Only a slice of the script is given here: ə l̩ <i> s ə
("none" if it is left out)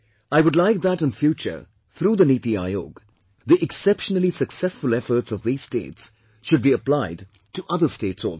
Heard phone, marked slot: i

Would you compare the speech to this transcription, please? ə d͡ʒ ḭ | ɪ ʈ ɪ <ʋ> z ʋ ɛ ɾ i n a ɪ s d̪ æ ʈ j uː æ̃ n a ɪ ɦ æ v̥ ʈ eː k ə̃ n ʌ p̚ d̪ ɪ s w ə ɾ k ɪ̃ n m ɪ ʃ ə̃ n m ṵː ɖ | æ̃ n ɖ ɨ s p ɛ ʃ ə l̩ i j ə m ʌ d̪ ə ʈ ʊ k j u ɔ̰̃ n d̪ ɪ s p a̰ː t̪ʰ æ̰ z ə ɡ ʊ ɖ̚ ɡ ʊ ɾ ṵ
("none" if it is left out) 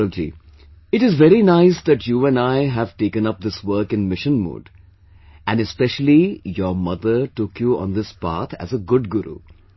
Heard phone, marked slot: none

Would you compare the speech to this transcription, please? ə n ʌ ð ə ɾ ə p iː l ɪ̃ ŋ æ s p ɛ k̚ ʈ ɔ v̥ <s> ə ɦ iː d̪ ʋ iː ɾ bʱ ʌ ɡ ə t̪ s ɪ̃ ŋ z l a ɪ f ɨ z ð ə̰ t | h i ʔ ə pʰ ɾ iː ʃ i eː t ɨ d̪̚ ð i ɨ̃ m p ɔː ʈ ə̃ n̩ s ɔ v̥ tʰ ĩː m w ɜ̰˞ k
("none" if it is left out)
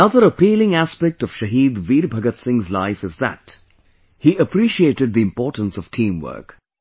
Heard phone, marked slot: ʃ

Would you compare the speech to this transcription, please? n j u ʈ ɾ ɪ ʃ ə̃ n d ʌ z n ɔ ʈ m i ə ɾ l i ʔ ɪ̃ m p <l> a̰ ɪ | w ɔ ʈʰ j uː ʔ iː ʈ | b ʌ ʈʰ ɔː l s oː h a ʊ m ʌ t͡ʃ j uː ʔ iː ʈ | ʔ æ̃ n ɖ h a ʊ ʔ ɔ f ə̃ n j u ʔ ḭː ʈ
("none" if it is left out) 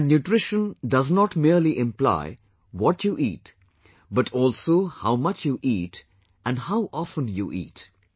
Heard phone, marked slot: l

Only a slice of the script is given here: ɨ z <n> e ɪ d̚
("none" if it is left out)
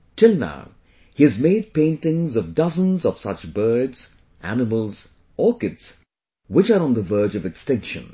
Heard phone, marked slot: m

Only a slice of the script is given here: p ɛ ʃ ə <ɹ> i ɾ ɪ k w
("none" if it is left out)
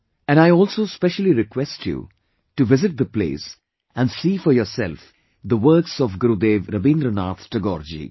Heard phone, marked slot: l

